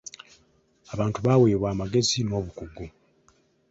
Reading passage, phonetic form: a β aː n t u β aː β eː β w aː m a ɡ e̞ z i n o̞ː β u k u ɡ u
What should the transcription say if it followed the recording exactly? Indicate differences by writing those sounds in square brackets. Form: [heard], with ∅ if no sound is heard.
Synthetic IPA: a β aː n t u β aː [w] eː β w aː m a ɡ e̞ z i n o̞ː β u k u ɡ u